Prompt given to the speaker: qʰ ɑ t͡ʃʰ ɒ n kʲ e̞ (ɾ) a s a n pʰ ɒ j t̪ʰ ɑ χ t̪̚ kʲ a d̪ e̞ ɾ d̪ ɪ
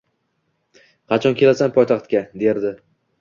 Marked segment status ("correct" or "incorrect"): incorrect